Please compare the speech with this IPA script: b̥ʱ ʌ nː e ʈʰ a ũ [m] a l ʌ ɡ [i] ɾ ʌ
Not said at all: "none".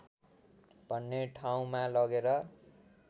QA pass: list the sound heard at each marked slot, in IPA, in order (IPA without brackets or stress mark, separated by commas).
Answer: m, e